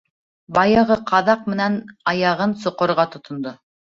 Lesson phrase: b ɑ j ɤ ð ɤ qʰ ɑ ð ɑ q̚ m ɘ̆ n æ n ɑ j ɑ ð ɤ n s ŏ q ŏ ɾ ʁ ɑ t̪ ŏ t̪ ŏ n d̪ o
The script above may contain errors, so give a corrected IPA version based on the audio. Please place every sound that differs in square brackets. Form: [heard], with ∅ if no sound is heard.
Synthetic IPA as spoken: b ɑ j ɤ [ʁ] ɤ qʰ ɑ ð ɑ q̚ m ɘ̆ n æ n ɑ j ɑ [ʁ] ɤ n s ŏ q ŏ ɾ ʁ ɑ t̪ ŏ t̪ ŏ n d̪ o